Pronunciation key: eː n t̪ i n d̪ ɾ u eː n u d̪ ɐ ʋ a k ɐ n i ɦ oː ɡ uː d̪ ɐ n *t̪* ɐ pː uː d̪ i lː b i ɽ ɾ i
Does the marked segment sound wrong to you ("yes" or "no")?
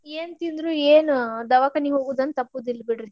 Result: no